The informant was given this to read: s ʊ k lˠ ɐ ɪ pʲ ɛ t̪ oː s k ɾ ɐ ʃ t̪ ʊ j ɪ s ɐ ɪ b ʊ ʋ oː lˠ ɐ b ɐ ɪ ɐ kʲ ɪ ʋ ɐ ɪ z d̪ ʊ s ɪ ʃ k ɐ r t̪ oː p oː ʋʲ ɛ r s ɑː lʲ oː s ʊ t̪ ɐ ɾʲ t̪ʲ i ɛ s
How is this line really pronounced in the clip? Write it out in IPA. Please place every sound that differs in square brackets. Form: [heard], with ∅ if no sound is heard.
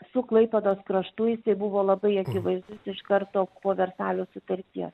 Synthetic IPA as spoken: s ʊ k lˠ ɐ ɪ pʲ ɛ [d̪] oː s k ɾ ɐ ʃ t̪ ʊ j ɪ s ɐ ɪ b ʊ ʋ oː lˠ ɐ b ɐ ɪ ɐ kʲ ɪ ʋ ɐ ɪ z d̪ ʊ s ɪ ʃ k ɐ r t̪ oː p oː ʋʲ ɛ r s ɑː lʲ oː s ʊ t̪ ɐ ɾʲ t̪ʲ i ɛ s

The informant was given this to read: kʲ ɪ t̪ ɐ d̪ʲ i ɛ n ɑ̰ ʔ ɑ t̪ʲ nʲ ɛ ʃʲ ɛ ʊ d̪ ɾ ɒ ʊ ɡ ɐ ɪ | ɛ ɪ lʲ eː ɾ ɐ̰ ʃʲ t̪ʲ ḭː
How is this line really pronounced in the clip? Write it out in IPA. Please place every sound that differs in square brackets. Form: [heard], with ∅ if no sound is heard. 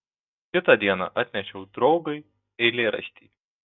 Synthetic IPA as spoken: kʲ ɪ t̪ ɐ d̪ʲ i ɛ n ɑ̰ ʔ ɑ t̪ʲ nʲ ɛ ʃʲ ɛ ʊ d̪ ɾ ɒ ʊ ɡ ɐ ɪ | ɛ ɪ lʲ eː ɾ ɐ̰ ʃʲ t̪ʲ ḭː

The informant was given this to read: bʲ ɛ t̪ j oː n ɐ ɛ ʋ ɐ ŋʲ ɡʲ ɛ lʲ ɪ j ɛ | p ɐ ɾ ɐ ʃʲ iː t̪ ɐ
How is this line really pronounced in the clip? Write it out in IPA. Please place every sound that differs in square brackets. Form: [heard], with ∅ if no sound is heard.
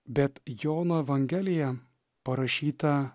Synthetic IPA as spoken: bʲ ɛ t̪ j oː n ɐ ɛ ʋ ɐ ŋʲ ɡʲ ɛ lʲ ɪ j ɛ | p ɐ ɾ ɐ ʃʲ iː t̪ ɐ

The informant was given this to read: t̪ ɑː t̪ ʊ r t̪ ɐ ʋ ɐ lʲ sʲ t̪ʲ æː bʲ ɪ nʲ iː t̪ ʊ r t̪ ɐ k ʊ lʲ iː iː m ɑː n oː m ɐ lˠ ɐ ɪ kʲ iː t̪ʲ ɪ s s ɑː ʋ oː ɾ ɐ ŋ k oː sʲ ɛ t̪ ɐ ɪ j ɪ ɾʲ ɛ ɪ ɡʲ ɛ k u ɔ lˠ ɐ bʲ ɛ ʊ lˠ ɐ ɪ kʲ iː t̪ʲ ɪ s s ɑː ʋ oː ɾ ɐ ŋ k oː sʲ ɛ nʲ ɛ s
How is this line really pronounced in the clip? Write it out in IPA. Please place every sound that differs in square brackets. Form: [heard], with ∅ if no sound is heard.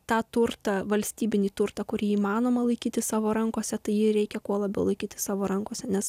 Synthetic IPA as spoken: t̪ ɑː t̪ ʊ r t̪ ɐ ʋ ɐ lʲ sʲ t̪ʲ [iː] bʲ ɪ nʲ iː t̪ ʊ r t̪ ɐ k ʊ [ɾʲ] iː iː m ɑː n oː m ɐ lˠ ɐ ɪ kʲ iː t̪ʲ ɪ s s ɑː ʋ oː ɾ ɐ ŋ k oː sʲ ɛ t̪ ɐ ɪ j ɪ ɾʲ ɛ ɪ [kʲ] ɛ k u ɔ lˠ ɐ bʲ ɛ ʊ lˠ ɐ ɪ kʲ iː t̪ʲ ɪ s s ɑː ʋ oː ɾ ɐ ŋ k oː sʲ ɛ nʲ ɛ s

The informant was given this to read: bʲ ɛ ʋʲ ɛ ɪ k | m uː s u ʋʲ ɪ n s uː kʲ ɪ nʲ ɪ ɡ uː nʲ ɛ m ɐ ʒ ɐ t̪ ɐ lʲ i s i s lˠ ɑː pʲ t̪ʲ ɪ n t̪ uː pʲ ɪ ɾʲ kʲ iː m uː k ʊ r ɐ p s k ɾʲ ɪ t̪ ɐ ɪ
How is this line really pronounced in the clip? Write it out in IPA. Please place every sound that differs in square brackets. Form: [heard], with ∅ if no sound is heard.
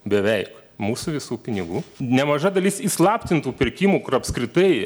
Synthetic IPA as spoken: bʲ ɛ ʋʲ ɛ ɪ k | m uː s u ʋʲ ɪ [∅] s uː [pʲ] ɪ nʲ ɪ ɡ uː nʲ ɛ m ɐ ʒ ɐ [d̪] ɐ lʲ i s i s lˠ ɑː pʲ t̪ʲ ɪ n t̪ uː pʲ ɪ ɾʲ kʲ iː m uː k ʊ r ɐ p s k ɾʲ ɪ t̪ ɐ ɪ

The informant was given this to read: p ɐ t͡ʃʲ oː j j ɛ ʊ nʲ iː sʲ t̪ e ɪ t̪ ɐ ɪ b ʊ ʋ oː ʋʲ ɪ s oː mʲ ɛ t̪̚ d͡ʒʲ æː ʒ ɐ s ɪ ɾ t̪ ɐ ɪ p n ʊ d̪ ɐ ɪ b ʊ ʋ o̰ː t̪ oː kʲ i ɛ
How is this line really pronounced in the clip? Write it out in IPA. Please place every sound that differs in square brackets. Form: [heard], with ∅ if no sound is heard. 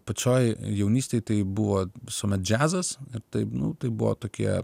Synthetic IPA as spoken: p ɐ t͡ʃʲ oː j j ɛ ʊ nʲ iː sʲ t̪ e ɪ t̪ ɐ ɪ b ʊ ʋ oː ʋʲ ɪ s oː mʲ ɛ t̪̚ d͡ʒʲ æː [z] ɐ s ɪ ɾ t̪ ɐ ɪ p n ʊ [t̪] ɐ ɪ b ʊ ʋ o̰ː t̪ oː kʲ i ɛ

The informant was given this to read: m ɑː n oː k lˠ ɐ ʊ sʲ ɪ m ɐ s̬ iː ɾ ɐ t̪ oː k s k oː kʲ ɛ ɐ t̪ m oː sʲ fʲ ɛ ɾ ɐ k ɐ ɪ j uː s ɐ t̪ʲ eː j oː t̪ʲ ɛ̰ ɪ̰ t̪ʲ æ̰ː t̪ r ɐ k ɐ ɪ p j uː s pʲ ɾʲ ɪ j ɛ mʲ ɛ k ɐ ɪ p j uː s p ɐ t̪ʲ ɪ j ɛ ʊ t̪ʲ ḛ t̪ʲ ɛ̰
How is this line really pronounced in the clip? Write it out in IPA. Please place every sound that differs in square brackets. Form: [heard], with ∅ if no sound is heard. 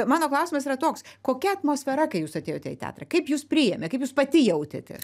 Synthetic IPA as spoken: m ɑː n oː k lˠ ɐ ʊ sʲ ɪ m ɐ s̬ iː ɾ ɐ t̪ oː k s k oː kʲ ɛ ɐ t̪ m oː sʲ fʲ ɛ ɾ ɐ k ɐ ɪ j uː s ɐ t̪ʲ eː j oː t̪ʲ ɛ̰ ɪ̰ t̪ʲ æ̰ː t̪ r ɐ k ɐ ɪ p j uː s pʲ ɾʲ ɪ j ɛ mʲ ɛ k ɐ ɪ p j uː s p ɐ t̪ʲ ɪ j ɛ ʊ t̪ʲ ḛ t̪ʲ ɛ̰

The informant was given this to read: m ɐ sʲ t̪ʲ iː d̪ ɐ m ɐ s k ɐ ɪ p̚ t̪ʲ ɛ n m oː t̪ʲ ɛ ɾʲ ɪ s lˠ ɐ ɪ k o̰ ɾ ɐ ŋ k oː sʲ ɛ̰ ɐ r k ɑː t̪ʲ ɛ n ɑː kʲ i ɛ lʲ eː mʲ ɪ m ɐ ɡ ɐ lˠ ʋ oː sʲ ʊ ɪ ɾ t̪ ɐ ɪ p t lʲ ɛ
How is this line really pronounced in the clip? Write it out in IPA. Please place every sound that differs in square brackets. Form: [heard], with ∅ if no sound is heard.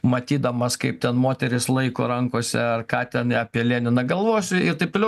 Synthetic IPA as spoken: m ɐ [∅] t̪ʲ iː d̪ ɐ m ɐ s k ɐ ɪ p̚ t̪ʲ ɛ n m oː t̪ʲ ɛ ɾʲ ɪ s lˠ ɐ ɪ k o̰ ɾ ɐ ŋ k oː sʲ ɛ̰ ɐ r k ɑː t̪ʲ ɛ n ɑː [pʲ] i ɛ lʲ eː [nʲ] ɪ [n] ɐ ɡ ɐ lˠ ʋ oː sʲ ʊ ɪ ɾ t̪ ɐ ɪ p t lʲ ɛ

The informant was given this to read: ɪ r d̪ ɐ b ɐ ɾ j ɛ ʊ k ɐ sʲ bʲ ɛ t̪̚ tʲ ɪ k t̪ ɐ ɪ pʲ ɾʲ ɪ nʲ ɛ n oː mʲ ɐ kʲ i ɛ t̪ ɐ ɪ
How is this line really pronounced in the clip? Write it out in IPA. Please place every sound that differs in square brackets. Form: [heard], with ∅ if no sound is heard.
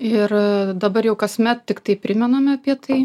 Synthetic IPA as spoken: ɪ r d̪ ɐ b ɐ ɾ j ɛ ʊ k ɐ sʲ [mʲ] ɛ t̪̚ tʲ ɪ k t̪ ɐ ɪ pʲ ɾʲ ɪ [mʲ] ɛ n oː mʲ ɐ [pʲ] i ɛ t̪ ɐ ɪ

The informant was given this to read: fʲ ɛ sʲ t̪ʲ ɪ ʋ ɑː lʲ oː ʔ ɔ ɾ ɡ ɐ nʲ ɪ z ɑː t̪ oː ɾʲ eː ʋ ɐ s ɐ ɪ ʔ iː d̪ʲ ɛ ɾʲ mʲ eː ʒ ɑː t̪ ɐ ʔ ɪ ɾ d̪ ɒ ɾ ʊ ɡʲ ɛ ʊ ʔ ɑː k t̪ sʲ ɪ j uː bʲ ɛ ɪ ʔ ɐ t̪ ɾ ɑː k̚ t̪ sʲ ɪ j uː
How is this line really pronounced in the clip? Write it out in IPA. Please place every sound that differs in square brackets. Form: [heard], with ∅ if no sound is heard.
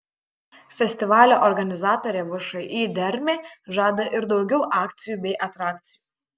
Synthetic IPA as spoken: fʲ ɛ sʲ t̪ʲ ɪ ʋ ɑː lʲ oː ʔ ɔ ɾ ɡ ɐ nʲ ɪ z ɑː t̪ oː ɾʲ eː ʋ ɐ [ʃ] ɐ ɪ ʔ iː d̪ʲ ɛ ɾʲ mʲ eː ʒ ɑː [d̪] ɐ ʔ ɪ ɾ d̪ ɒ [∅] ʊ ɡʲ ɛ ʊ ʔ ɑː k t̪ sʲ ɪ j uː bʲ ɛ ɪ ʔ ɐ t̪ ɾ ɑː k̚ t̪ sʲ ɪ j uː

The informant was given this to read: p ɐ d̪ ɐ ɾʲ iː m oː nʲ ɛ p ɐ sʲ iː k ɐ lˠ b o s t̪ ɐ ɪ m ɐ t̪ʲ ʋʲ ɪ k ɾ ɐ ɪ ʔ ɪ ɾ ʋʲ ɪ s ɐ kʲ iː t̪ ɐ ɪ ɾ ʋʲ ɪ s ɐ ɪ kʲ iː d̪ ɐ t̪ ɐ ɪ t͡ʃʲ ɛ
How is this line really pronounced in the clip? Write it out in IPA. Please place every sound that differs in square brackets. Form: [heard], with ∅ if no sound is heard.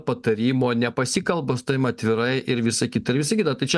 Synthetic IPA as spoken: p ɐ [t̪] ɐ ɾʲ iː m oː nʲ ɛ p ɐ sʲ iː k ɐ lˠ b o s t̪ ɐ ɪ m ɐ t̪ʲ ʋʲ ɪ [∅] ɾ ɐ ɪ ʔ ɪ ɾ ʋʲ ɪ s ɐ kʲ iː t̪ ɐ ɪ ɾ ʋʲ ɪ s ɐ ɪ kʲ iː [t̪] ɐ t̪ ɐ ɪ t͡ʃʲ ɛ

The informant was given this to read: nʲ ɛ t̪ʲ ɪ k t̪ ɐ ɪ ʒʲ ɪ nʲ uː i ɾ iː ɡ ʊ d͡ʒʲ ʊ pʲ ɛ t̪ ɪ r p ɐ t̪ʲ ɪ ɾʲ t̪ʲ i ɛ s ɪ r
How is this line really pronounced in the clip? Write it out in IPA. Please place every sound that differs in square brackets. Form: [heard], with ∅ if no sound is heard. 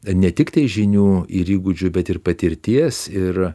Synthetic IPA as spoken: nʲ ɛ t̪ʲ ɪ k t̪ ɐ ɪ ʒʲ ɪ nʲ uː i ɾ iː ɡ ʊ d͡ʒʲ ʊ [bʲ] ɛ t̪ ɪ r p ɐ t̪ʲ ɪ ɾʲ t̪ʲ i ɛ s ɪ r

